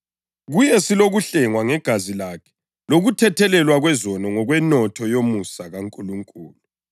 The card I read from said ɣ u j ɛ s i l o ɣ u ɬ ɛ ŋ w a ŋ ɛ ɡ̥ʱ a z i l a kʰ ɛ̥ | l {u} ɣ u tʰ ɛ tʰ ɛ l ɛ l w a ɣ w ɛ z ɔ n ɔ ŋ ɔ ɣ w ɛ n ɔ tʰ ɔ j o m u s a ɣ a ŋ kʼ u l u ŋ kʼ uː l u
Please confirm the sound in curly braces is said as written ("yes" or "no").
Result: no